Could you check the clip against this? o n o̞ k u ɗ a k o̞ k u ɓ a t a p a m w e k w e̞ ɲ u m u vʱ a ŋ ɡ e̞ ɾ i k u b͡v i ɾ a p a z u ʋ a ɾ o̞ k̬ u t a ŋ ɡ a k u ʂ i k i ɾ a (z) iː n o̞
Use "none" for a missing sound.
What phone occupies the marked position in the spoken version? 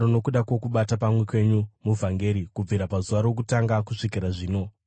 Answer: ʐ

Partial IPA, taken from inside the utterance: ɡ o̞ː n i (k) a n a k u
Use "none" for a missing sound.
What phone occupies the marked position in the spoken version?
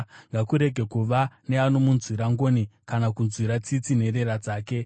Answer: k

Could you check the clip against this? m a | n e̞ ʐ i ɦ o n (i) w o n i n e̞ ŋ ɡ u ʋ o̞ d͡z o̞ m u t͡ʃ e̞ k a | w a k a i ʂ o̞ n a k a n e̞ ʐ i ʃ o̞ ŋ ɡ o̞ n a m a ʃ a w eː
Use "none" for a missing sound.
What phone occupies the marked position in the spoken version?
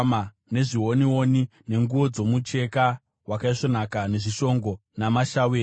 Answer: i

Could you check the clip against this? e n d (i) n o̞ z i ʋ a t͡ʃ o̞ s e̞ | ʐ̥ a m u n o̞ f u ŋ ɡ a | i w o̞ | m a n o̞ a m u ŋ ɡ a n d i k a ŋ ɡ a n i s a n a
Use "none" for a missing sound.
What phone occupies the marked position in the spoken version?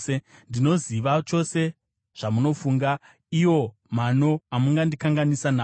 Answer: i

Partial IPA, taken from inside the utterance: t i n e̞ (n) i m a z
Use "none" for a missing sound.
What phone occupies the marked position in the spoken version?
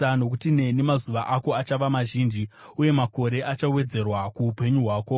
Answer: n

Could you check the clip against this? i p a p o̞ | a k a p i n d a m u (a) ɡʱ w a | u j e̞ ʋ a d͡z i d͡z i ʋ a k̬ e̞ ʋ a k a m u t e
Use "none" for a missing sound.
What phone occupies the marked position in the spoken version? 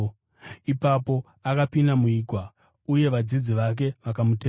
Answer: i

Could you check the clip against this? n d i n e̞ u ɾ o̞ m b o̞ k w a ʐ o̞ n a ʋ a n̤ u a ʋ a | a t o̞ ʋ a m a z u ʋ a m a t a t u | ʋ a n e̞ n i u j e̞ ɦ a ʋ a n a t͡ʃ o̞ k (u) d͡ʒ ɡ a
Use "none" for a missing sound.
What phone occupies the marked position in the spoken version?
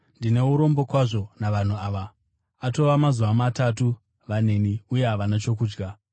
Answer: uː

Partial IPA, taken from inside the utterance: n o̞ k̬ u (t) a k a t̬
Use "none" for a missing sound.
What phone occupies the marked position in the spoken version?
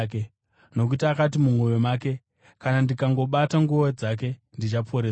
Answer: t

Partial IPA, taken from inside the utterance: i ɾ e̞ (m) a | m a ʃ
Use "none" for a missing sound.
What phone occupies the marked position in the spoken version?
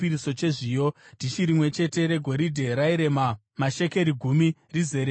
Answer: m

